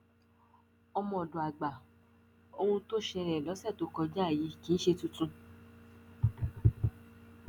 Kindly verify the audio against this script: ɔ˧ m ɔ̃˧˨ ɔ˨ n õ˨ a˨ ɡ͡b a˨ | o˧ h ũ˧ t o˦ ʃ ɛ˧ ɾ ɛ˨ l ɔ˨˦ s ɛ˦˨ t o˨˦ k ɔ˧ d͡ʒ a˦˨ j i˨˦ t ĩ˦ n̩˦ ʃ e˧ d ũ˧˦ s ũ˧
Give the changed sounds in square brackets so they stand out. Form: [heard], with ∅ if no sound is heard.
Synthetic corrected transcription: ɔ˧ m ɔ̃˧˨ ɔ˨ [d] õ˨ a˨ ɡ͡b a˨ | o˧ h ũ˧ t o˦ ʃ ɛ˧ ɾ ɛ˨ l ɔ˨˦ s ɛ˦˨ t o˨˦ k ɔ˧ d͡ʒ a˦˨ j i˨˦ [k] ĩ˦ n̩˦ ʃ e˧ [t] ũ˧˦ [t] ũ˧